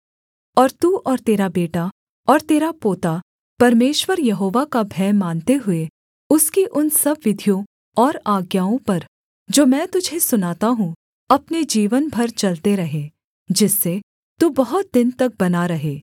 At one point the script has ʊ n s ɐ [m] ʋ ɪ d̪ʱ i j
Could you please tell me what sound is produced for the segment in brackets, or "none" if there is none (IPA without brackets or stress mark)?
b